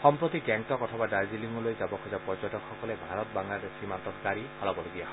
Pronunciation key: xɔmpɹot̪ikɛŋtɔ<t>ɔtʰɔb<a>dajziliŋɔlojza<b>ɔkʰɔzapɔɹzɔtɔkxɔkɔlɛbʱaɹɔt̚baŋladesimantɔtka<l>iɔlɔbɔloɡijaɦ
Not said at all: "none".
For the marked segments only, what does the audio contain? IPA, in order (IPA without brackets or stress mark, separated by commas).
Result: k, a, b, ɹ